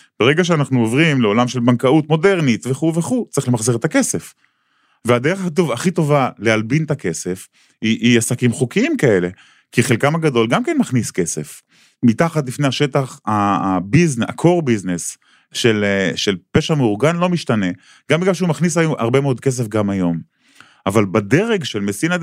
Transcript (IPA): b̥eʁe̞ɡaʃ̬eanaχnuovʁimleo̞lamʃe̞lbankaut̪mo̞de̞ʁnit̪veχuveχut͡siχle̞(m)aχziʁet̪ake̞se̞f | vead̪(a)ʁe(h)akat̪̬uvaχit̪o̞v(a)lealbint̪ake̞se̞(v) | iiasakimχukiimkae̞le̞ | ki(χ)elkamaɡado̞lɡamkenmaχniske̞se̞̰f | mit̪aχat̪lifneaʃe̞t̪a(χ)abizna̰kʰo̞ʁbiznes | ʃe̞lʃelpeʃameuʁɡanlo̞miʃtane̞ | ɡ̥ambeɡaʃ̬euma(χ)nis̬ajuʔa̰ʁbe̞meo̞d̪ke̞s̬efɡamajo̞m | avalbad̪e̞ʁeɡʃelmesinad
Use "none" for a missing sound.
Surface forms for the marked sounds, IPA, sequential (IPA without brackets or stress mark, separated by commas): m, e, χ, a, f, χ, χ, χ